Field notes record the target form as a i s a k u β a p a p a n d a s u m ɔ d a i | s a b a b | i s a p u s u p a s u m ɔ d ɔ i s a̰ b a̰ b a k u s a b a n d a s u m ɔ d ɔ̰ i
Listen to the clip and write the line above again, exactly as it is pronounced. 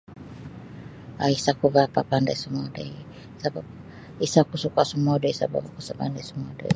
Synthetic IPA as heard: a i s a k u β a p a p a n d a s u m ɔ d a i | s a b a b | i s a k u s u k a s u m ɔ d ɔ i s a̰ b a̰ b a k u s a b a n d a s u m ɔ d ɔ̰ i